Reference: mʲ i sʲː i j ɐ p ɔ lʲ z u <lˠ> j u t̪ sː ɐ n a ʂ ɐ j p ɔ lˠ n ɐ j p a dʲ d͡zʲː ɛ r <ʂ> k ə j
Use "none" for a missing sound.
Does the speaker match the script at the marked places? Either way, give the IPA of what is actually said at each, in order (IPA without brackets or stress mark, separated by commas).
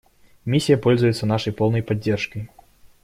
none, ʂ